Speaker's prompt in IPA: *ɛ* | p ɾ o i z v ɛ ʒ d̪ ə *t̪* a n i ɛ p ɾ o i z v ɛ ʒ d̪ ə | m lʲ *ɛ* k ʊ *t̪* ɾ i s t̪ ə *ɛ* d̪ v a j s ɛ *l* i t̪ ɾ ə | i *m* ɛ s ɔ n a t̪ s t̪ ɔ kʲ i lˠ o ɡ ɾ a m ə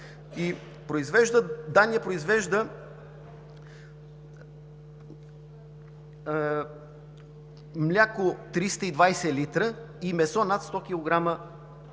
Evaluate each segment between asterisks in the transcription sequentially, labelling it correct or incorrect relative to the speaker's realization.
incorrect: i, incorrect: d̪, incorrect: a, correct, incorrect: i, correct, correct

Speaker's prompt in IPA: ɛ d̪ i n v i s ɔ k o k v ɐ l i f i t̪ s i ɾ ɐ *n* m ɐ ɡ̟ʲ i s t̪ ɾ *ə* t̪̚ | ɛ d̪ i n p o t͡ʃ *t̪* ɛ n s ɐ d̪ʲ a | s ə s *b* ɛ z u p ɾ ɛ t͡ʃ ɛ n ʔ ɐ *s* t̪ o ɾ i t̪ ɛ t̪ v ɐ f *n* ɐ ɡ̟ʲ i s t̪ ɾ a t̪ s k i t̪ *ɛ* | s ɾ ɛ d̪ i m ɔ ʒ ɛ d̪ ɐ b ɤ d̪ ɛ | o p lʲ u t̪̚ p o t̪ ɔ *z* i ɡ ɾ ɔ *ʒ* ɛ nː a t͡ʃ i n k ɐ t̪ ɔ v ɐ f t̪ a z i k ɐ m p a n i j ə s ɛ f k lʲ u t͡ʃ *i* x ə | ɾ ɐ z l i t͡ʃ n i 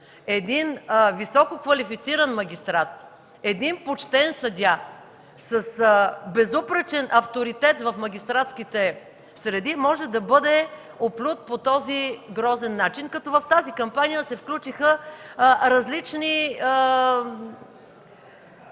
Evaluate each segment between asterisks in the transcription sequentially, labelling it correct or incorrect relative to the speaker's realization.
correct, incorrect: a, correct, correct, incorrect: f, incorrect: m, correct, correct, incorrect: z, correct

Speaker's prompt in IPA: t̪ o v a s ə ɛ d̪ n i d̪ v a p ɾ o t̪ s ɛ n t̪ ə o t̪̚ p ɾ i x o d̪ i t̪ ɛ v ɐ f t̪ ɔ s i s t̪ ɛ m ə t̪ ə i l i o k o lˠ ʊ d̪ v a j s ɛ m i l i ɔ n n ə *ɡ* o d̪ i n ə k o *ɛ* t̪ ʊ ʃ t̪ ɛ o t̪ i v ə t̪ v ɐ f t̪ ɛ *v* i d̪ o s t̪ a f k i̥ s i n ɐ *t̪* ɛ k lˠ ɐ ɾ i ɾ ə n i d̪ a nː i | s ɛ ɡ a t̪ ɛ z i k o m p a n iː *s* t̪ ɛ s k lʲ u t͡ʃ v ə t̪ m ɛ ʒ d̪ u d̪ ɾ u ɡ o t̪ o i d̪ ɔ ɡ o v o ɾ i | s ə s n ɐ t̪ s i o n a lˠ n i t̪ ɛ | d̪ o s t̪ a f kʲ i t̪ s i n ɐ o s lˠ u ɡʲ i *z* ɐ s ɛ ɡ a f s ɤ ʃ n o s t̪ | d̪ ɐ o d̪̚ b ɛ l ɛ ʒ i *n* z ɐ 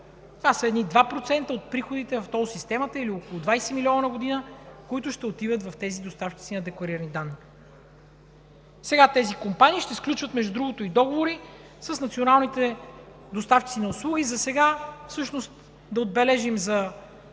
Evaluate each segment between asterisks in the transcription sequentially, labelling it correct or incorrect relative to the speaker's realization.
correct, incorrect: i, incorrect: z, incorrect: d̪, incorrect: ʃ, correct, incorrect: m

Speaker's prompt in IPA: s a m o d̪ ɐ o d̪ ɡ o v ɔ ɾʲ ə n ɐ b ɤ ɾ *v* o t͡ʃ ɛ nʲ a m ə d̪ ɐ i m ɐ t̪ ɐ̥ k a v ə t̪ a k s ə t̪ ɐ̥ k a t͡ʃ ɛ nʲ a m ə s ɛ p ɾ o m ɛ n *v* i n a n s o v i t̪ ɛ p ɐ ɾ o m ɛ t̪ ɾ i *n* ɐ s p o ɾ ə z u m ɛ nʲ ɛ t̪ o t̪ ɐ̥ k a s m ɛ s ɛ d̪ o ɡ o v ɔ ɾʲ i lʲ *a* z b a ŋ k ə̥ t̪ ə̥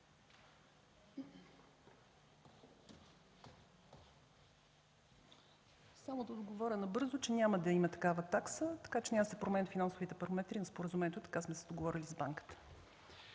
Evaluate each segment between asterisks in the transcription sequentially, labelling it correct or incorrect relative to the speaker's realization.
incorrect: z, incorrect: f, correct, incorrect: i

